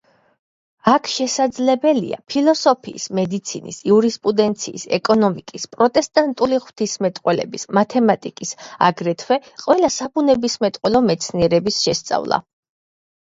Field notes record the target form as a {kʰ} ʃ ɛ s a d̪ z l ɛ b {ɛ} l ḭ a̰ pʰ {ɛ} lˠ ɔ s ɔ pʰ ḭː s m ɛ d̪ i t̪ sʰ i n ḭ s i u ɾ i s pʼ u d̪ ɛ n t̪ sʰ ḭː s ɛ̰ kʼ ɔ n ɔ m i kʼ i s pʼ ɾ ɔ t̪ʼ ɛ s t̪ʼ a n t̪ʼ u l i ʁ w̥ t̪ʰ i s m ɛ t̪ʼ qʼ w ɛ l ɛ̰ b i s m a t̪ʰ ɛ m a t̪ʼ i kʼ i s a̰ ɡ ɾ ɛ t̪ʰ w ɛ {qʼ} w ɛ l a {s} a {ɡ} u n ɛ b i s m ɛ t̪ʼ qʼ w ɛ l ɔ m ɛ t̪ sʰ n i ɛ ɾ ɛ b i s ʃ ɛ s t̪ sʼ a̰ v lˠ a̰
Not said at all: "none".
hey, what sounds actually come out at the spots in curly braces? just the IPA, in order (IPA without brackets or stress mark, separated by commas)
kʰ, ɛ, i, qʼ, s, b